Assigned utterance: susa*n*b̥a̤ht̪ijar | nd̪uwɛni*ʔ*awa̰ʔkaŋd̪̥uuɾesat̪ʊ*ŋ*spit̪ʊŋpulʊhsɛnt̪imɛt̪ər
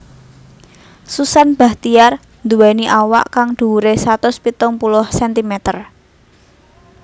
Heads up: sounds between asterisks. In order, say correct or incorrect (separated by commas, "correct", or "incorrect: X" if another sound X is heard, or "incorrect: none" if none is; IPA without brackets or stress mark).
correct, correct, incorrect: none